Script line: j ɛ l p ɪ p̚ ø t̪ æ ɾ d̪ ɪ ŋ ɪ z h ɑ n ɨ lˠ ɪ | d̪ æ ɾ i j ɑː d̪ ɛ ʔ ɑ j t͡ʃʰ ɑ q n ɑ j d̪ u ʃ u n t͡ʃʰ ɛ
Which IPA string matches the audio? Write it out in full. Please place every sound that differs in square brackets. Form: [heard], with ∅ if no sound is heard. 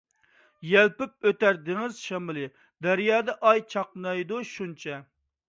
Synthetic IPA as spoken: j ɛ l p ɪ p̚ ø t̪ æ ɾ d̪ ɪ ŋ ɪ z [ʃ] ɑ [m] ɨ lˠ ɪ | d̪ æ ɾ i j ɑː d̪ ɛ ʔ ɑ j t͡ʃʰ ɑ q n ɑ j d̪ u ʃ u n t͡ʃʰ ɛ